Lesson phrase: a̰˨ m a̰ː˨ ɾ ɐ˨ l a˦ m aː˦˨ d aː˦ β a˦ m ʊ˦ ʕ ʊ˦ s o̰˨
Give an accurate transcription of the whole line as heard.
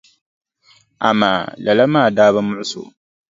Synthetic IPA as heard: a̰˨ m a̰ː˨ l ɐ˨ l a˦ m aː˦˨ d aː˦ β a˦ m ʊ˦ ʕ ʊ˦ s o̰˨